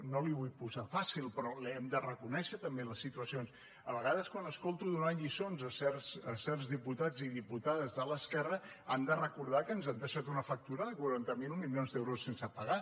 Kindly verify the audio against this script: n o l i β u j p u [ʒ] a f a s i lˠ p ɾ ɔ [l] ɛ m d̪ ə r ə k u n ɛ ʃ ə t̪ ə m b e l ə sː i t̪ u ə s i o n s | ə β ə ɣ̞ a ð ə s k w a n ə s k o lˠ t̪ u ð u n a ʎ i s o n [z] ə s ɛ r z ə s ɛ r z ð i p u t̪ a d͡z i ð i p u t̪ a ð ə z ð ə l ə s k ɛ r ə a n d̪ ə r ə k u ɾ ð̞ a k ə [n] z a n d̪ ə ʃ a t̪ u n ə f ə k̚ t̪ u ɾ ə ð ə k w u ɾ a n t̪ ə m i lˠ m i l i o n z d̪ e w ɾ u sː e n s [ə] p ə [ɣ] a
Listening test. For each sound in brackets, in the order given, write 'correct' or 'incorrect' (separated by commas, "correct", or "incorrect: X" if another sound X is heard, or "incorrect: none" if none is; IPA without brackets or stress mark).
incorrect: z, correct, correct, correct, correct, correct